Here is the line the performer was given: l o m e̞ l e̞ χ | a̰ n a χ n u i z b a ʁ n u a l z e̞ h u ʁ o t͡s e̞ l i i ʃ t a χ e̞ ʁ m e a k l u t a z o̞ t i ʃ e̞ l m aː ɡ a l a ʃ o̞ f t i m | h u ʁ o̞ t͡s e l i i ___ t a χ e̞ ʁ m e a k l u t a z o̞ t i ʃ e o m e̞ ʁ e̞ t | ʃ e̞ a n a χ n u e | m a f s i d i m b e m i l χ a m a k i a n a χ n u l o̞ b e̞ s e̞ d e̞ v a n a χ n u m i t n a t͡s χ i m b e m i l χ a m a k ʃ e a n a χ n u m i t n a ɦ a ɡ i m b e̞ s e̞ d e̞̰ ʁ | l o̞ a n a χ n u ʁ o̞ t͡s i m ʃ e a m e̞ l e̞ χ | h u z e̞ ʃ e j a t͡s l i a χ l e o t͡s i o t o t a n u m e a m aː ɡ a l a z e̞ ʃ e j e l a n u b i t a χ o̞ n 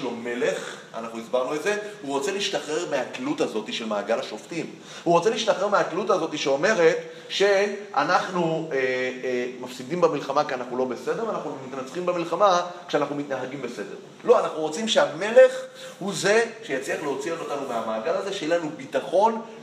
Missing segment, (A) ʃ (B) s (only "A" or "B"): A